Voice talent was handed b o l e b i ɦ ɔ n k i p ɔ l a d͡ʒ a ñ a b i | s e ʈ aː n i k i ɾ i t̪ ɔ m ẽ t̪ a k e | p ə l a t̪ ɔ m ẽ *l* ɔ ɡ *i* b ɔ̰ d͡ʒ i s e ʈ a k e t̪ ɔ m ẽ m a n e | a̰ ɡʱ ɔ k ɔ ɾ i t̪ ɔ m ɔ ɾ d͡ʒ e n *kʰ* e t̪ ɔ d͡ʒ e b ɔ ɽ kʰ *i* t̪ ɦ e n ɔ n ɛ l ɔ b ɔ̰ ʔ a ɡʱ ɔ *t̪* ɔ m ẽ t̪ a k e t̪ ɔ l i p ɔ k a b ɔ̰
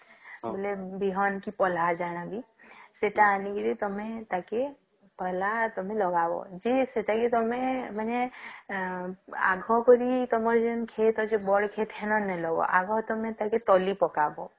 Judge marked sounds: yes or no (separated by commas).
yes, no, yes, no, yes